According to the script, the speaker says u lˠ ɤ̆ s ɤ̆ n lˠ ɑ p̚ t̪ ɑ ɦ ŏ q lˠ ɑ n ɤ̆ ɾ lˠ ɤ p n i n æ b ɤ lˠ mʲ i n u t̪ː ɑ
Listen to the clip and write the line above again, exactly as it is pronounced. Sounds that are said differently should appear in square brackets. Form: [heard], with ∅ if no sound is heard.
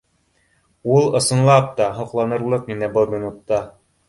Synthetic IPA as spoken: u lˠ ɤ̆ s ɤ̆ n lˠ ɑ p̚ t̪ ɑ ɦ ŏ q lˠ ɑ n ɤ̆ ɾ lˠ ɤ [q] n i n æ b ɤ lˠ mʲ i n u t̪ː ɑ

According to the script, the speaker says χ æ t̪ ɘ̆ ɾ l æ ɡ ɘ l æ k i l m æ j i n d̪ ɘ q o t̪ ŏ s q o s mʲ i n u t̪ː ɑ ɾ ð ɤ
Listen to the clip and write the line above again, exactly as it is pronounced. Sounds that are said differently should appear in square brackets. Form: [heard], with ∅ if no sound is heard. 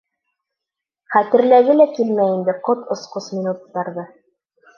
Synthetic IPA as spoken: χ æ t̪ ɘ̆ ɾ l æ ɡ ɘ l æ k i l m æ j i n d̪ ɘ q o t̪ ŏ s q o s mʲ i n u t̪ː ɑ ɾ ð ɤ

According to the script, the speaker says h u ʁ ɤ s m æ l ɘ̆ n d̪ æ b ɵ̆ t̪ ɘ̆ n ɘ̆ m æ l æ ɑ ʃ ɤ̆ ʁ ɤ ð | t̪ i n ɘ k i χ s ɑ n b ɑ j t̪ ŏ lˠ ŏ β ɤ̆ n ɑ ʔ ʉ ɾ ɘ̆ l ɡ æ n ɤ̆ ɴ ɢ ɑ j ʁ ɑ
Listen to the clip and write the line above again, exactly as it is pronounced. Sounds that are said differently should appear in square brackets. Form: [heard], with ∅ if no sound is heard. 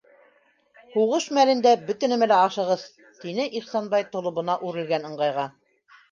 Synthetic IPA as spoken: h u ʁ ɤ [ʃ] m æ l ɘ̆ n d̪ æ b ɵ̆ t̪ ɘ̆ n ɘ̆ m æ l æ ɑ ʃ ɤ̆ ʁ ɤ ð | t̪ i n ɘ [ʔ] i χ s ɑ n b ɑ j t̪ ŏ lˠ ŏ β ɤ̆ n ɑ ʔ ʉ ɾ ɘ̆ l ɡ æ n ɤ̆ ɴ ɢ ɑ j ʁ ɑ

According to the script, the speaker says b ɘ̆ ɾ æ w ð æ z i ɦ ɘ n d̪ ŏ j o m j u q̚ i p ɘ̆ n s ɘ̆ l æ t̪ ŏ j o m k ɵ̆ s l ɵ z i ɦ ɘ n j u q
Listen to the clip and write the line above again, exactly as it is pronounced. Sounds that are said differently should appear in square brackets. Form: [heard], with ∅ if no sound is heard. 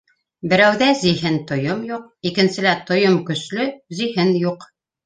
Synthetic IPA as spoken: b ɘ̆ ɾ æ w ð æ z i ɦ ɘ n [t̪] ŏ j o m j u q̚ i [k] ɘ̆ n s ɘ̆ l æ t̪ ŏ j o m k ɵ̆ s l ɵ z i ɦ ɘ n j u q

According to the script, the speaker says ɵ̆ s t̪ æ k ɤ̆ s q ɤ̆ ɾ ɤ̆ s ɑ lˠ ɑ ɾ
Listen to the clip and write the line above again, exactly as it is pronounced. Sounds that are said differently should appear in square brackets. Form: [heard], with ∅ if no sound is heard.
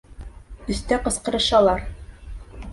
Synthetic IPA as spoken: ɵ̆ s t̪ æ [q] ɤ̆ s q ɤ̆ ɾ ɤ̆ [ʃ] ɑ lˠ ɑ ɾ

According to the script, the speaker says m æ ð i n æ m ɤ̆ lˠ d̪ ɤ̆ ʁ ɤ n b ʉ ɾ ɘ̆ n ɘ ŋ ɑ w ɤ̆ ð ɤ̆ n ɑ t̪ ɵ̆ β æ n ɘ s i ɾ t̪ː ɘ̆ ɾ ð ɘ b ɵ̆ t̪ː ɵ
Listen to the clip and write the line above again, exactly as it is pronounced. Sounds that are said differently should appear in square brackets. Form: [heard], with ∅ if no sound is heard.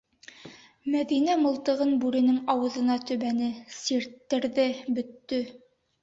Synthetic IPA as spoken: m æ ð i n æ m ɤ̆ lˠ [t̪] ɤ̆ ʁ ɤ n b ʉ ɾ ɘ̆ n ɘ ŋ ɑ w ɤ̆ ð ɤ̆ n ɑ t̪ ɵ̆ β æ n ɘ s i ɾ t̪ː ɘ̆ ɾ ð ɘ b ɵ̆ t̪ː ɵ

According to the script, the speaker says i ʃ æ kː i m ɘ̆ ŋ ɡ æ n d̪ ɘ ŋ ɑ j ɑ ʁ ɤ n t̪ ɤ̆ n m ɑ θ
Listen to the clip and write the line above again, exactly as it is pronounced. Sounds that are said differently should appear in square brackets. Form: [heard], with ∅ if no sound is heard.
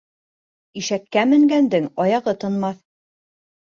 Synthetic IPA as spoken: i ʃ æ kː [æ] m ɘ̆ ŋ ɡ æ n d̪ ɘ ŋ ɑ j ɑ ʁ ɤ [∅] t̪ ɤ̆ n m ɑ θ

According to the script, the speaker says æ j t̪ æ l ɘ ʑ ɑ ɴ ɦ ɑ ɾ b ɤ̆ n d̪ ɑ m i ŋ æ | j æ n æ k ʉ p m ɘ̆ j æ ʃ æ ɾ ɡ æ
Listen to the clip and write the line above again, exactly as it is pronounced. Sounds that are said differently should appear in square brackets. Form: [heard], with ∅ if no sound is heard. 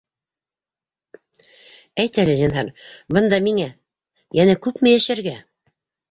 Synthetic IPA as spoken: æ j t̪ æ l ɘ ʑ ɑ [n] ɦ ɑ ɾ b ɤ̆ n d̪ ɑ m i ŋ æ | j æ n æ k ʉ p m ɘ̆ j æ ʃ æ ɾ ɡ æ

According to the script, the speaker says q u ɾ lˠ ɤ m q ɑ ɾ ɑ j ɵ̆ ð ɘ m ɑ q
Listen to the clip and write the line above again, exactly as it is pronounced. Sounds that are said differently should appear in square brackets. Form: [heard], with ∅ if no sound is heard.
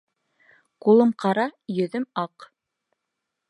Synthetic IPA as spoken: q u [∅] lˠ ɤ m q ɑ ɾ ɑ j ɵ̆ ð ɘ m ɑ q

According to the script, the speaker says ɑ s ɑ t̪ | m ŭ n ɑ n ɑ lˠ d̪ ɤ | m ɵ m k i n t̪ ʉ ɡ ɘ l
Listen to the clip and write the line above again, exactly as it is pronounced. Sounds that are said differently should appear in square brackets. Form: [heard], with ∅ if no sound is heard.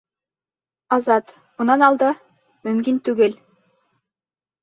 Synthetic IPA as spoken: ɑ [z] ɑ t̪ | m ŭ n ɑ n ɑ lˠ d̪ ɤ | m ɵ m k i n t̪ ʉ ɡ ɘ l

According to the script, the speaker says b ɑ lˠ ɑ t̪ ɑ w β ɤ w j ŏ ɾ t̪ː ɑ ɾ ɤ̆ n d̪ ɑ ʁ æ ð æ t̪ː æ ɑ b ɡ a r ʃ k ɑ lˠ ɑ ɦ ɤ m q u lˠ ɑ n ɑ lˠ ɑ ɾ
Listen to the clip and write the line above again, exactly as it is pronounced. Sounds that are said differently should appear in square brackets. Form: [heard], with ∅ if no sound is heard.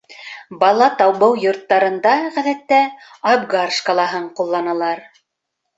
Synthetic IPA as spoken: b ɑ lˠ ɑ t̪ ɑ w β ɤ w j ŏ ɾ t̪ː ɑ ɾ ɤ̆ n d̪ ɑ ʁ æ ð æ t̪ː æ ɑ b ɡ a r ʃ k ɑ lˠ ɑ ɦ ɤ [ɴ] q u [lˠː] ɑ n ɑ lˠ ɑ ɾ

